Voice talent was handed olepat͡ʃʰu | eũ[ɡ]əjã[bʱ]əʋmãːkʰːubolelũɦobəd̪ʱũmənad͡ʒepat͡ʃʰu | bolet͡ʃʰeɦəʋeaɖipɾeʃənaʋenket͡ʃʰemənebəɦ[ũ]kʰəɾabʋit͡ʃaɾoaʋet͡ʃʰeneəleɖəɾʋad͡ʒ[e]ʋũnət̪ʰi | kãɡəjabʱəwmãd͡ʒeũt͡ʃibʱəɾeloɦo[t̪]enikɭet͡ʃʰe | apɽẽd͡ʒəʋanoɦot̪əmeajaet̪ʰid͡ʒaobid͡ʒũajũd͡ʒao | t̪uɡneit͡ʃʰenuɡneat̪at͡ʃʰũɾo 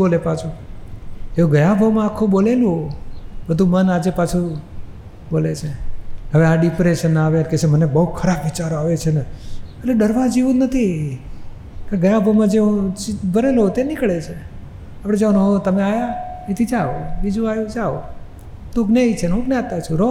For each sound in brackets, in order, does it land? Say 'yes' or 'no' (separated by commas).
yes, yes, no, no, yes